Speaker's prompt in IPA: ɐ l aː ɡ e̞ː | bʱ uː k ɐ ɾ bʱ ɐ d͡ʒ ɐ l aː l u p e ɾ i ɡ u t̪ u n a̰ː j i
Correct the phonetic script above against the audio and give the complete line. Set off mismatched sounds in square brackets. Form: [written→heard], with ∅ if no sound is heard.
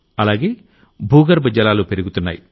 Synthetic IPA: ɐ l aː ɡ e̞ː | bʱ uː [k→ɡ] ɐ ɾ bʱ ɐ d͡ʒ ɐ l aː l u p e ɾ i ɡ u t̪ u [n→nː] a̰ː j i